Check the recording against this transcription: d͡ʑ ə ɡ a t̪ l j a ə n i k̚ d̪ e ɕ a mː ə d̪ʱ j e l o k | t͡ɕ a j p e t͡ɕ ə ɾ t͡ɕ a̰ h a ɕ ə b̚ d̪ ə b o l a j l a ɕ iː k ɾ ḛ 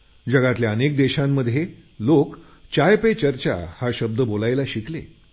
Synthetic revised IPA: d͡ʑ ə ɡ a t̪ l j a ə n e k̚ d̪ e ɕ a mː ə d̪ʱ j e l o k | t͡ɕ a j p e t͡ɕ ə ɾ t͡ɕ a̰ h a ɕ ə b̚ d̪ ə b o l a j l a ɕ i k l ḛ